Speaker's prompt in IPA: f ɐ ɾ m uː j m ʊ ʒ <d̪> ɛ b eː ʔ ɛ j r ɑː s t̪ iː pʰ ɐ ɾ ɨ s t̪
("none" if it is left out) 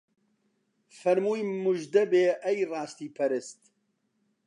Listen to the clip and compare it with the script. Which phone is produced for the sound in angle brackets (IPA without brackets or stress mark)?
d̪